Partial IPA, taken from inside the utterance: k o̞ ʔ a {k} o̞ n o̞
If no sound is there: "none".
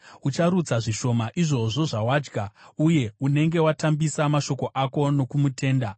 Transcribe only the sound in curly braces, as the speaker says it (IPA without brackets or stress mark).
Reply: k